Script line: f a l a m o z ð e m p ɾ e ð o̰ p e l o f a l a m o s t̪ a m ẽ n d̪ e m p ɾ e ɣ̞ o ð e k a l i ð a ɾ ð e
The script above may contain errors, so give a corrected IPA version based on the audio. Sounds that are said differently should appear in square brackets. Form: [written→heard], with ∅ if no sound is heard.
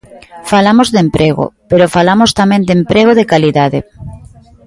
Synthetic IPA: f a l a m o z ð e m p ɾ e [ð→ɣ] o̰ p e [l→ɾ] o f a l a m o s t̪ a m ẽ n d̪ e m p ɾ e ɣ̞ o ð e k a l i ð a [ɾ→∅] ð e